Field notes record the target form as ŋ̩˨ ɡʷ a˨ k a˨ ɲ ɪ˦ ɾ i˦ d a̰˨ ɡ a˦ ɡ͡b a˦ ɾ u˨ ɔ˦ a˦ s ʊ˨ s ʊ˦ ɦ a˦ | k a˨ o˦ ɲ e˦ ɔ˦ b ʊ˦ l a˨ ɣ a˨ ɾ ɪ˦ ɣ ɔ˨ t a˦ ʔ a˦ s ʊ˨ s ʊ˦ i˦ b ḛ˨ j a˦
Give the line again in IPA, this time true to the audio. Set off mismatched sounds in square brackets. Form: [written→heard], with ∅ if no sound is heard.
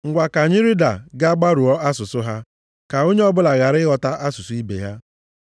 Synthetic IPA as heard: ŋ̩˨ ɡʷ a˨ k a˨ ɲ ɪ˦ ɾ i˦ d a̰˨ ɡ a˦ ɡ͡b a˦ ɾ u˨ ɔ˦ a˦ s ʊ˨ s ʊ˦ ɦ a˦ | k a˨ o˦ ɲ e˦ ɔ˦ b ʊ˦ l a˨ ɣ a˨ ɾ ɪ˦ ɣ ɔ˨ t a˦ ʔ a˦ s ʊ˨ s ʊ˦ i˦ b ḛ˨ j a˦